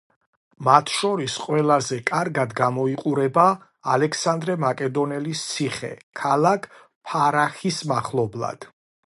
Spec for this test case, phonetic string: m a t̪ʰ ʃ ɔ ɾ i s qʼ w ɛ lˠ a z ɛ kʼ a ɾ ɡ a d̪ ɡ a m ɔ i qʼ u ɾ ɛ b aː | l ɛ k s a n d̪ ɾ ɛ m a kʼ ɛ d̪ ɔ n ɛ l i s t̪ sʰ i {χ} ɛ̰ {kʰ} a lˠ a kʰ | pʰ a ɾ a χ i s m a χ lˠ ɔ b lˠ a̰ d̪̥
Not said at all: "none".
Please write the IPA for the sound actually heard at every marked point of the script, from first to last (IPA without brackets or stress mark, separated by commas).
χ, kʰ